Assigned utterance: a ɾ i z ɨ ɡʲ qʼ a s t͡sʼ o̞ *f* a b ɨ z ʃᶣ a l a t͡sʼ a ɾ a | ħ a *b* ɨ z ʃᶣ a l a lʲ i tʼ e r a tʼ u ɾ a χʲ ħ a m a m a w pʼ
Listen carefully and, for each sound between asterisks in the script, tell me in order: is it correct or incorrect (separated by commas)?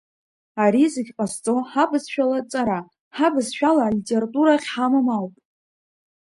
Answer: incorrect, correct